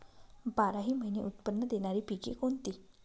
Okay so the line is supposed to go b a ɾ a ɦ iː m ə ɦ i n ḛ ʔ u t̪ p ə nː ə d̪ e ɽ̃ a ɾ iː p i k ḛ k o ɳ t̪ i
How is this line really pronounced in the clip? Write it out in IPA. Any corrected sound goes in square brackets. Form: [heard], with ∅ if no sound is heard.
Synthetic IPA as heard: b a ɾ a ɦ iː m ə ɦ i n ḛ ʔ u t̪ p ə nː ə d̪ e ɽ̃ a ɾ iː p i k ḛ k o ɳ t̪ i